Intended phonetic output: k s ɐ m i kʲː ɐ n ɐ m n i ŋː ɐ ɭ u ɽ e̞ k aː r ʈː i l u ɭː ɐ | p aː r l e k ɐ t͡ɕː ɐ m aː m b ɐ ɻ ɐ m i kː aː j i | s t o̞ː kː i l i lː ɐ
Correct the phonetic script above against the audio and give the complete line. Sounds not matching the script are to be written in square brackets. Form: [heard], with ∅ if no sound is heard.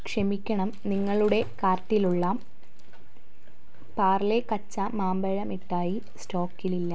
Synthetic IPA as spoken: k [ʂ] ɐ m i kʲː ɐ [ɳ] ɐ m n i ŋː ɐ ɭ u ɽ e̞ k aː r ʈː i l u ɭː ɐ | p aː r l e k ɐ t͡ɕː ɐ m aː m b ɐ ɻ ɐ m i [ʈː] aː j i | s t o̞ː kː i l i lː ɐ